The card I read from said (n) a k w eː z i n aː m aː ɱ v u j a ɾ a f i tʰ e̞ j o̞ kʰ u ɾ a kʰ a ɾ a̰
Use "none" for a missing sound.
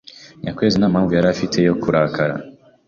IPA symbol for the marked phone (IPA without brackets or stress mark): ɲ